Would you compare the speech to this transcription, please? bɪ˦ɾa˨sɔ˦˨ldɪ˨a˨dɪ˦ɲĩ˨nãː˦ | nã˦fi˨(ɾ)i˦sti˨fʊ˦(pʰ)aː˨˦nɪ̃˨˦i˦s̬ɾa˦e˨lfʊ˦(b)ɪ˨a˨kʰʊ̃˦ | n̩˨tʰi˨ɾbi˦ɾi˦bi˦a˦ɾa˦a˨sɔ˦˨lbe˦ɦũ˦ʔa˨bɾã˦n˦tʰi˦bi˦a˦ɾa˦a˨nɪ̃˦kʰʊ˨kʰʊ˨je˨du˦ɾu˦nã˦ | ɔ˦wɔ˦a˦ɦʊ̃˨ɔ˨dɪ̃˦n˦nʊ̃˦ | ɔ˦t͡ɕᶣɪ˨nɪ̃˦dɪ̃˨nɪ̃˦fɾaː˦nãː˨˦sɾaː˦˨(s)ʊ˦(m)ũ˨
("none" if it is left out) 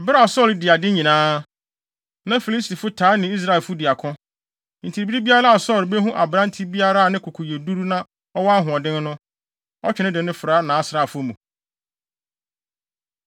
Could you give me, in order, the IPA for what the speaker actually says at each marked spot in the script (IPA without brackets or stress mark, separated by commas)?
l, tʰ, d, f, m